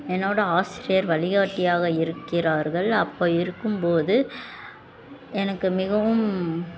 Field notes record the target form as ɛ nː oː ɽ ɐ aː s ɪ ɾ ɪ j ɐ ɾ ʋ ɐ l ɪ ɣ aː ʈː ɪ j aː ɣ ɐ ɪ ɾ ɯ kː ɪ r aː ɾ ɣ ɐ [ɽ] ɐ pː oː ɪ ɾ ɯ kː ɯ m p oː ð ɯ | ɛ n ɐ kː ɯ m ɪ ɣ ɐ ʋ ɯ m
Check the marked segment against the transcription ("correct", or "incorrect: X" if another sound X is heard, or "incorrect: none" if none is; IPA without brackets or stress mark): incorrect: ɭ